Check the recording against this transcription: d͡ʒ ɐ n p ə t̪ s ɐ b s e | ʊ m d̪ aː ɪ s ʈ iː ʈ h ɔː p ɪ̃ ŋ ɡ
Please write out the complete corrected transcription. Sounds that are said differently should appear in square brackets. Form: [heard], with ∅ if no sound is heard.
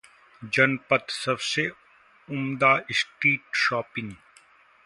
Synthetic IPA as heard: d͡ʒ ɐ n p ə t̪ s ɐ b s e | ʊ m d̪ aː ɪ s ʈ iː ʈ [ʃ] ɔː p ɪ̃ ŋ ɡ